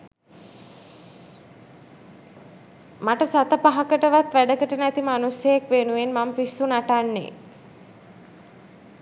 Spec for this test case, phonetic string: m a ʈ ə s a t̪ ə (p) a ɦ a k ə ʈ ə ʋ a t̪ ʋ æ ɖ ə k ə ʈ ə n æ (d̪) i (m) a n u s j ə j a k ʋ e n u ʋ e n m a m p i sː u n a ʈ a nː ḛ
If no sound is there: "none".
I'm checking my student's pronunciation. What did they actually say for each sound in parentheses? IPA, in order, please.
p, t̪, m

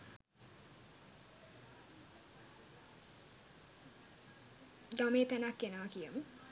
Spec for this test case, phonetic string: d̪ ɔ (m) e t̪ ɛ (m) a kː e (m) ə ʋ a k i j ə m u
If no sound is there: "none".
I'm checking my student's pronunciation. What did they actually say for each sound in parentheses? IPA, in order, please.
m, n, n

